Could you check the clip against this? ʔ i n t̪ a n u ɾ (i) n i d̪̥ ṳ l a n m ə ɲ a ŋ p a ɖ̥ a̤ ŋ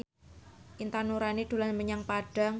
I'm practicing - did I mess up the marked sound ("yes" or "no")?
yes